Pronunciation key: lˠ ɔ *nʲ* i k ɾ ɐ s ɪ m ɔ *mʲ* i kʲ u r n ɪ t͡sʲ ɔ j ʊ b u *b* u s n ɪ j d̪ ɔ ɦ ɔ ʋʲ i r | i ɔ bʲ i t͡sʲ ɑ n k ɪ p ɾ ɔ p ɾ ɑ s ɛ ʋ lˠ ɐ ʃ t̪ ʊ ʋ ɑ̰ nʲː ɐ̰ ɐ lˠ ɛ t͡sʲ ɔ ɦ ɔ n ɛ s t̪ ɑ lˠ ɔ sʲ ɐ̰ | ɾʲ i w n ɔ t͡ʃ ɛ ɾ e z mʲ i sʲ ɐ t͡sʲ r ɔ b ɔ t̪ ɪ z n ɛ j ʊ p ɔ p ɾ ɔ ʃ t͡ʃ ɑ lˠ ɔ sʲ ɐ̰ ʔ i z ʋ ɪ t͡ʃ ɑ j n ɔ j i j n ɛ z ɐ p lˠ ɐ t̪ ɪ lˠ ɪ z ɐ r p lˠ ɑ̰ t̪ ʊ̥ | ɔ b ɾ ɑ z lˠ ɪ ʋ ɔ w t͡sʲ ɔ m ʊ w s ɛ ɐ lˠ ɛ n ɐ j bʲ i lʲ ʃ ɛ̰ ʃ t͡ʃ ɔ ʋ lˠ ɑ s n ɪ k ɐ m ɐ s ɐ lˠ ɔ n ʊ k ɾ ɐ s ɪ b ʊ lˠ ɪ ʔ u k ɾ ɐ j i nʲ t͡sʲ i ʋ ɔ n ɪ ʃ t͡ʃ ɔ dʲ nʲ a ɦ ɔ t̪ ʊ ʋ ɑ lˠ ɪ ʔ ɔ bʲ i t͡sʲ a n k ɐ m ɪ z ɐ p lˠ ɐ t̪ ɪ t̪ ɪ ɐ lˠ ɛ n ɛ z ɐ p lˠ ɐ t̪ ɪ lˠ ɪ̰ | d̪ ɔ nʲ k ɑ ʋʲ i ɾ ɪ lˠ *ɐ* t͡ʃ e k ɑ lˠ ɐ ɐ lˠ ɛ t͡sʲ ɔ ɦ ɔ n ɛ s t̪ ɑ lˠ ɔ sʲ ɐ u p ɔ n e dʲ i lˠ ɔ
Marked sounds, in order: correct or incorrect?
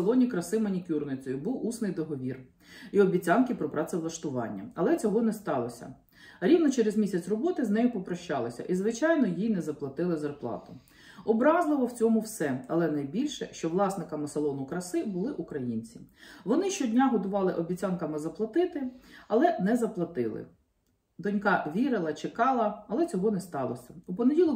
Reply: correct, incorrect: nʲ, incorrect: w, correct

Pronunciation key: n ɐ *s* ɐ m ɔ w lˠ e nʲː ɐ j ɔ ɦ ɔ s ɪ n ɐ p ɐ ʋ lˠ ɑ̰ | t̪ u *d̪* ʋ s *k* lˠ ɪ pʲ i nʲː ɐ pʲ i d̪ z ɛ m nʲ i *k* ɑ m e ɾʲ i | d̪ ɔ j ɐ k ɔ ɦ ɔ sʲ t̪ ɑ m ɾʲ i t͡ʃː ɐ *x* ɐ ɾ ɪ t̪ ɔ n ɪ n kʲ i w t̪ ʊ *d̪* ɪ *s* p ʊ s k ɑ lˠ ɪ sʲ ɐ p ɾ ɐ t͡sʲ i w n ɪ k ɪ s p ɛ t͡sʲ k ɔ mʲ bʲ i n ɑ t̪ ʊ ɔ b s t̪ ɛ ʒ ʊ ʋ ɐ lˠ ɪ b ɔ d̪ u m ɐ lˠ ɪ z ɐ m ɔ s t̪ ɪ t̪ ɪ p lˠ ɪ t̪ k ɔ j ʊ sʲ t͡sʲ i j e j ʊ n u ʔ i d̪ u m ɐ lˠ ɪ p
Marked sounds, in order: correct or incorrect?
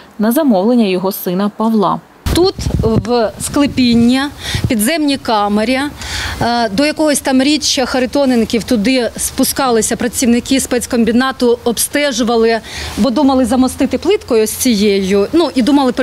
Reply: incorrect: z, incorrect: t̪, correct, correct, correct, correct, correct

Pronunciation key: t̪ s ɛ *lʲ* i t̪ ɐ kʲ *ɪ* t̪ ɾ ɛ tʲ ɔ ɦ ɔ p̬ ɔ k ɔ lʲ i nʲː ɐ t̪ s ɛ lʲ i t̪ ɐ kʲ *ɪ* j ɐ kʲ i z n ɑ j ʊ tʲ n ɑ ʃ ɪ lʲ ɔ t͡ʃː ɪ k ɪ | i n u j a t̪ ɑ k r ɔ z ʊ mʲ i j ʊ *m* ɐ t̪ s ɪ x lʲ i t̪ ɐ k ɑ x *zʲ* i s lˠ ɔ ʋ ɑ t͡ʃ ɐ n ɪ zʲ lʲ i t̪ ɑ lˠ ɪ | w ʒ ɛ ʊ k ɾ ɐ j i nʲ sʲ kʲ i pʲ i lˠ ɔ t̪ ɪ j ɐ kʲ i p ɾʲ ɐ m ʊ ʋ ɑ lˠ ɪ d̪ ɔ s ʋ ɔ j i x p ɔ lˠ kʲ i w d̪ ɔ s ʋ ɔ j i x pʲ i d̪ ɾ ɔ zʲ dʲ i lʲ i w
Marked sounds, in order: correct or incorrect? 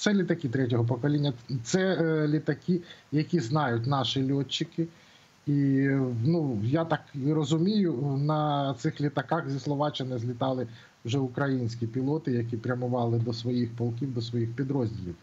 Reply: correct, incorrect: i, incorrect: i, incorrect: n, correct

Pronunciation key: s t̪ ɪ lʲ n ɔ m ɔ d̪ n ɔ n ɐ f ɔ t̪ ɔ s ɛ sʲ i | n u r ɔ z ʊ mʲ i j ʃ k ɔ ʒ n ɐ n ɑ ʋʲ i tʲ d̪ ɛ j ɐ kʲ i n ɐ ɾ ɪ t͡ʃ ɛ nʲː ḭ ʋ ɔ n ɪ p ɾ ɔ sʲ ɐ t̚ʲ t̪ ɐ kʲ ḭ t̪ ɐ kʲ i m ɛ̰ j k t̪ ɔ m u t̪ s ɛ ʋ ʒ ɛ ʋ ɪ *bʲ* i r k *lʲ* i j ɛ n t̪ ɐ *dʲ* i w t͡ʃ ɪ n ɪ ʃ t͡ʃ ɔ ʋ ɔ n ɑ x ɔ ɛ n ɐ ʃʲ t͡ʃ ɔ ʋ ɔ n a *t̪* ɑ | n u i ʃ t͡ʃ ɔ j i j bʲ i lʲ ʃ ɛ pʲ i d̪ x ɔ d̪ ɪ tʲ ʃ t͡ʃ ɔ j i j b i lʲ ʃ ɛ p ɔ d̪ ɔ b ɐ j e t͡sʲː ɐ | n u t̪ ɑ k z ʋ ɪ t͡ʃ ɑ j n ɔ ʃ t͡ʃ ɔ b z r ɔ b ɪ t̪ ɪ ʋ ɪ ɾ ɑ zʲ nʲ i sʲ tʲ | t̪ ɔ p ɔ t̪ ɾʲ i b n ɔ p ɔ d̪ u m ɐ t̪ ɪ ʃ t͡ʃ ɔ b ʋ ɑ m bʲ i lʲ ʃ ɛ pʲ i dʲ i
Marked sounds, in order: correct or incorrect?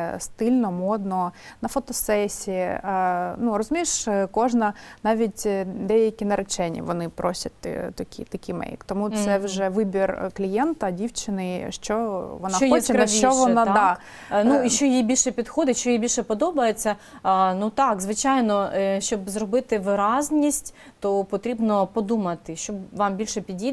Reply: correct, correct, correct, incorrect: d̪

